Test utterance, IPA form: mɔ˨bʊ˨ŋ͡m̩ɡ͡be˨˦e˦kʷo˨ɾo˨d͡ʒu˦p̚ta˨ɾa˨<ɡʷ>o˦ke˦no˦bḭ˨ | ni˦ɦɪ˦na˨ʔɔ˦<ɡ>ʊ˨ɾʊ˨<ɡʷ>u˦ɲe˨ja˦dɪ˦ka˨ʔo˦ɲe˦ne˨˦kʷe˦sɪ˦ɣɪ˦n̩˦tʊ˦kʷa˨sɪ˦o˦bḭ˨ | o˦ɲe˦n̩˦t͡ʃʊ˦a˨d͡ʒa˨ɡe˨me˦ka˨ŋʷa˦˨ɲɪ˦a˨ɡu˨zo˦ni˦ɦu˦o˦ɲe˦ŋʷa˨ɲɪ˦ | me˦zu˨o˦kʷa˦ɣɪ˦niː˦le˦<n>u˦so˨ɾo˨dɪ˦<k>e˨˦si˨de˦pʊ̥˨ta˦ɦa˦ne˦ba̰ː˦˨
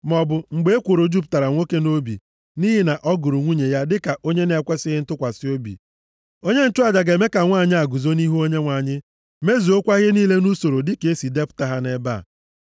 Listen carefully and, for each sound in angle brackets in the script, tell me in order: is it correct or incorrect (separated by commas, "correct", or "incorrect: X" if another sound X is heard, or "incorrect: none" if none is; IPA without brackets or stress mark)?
incorrect: ŋʷ, correct, incorrect: ŋʷ, correct, correct